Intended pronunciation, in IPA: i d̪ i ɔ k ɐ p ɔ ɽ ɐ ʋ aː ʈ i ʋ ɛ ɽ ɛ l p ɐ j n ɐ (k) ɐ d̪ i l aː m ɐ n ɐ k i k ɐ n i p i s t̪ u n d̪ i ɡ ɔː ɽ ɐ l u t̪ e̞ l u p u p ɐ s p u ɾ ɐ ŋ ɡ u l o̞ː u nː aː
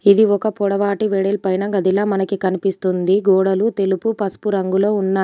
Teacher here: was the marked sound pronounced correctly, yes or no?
no